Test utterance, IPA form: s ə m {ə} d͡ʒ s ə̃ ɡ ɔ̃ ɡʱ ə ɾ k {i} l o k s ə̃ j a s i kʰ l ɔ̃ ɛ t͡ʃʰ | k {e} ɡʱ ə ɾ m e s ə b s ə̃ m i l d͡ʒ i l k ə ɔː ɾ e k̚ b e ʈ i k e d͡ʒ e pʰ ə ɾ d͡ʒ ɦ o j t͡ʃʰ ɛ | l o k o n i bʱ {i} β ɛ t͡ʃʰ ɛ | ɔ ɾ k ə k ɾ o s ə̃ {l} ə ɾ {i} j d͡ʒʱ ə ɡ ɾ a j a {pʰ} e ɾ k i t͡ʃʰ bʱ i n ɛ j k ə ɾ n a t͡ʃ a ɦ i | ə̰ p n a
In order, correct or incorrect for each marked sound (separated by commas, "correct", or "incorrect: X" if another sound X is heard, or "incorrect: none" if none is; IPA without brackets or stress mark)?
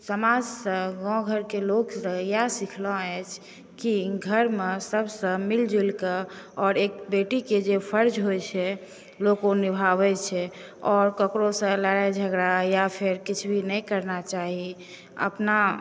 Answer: incorrect: a, incorrect: e, incorrect: i, incorrect: a, correct, incorrect: a, correct